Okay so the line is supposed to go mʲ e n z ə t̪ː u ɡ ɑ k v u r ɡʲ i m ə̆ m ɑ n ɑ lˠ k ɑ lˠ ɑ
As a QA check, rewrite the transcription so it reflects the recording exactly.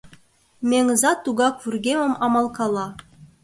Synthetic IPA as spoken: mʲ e ŋ z ɑ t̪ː u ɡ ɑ k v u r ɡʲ e m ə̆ m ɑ m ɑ lˠ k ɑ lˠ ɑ